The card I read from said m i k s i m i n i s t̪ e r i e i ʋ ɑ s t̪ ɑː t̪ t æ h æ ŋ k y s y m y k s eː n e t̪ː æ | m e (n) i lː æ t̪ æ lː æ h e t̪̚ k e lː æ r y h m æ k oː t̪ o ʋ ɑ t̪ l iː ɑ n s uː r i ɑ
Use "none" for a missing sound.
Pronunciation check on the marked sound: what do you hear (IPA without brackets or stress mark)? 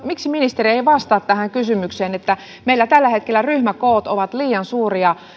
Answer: none